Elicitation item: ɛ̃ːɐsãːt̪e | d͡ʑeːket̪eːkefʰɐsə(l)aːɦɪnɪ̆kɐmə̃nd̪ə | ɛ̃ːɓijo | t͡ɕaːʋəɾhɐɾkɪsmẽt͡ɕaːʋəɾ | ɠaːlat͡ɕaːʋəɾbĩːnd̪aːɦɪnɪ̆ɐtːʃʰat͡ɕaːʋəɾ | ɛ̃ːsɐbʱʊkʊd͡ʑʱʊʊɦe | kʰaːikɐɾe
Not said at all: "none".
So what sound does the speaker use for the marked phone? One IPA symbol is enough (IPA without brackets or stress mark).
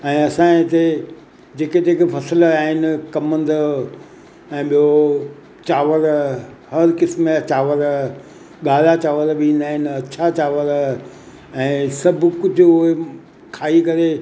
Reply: l